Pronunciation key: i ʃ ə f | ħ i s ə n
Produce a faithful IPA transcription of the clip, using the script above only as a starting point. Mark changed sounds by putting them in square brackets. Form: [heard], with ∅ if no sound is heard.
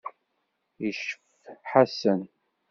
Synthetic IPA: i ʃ ə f | ħ [a] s ə n